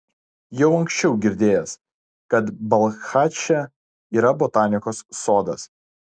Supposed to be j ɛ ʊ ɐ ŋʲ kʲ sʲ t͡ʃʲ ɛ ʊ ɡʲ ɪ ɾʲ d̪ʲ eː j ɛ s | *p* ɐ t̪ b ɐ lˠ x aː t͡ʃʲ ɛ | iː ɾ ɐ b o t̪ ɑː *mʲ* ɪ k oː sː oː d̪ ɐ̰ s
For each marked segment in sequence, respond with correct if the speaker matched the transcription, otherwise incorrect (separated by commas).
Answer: incorrect, incorrect